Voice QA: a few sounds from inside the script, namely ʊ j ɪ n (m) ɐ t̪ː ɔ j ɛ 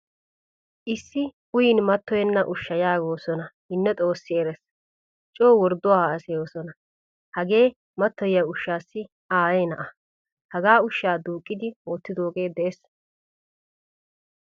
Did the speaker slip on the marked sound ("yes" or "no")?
no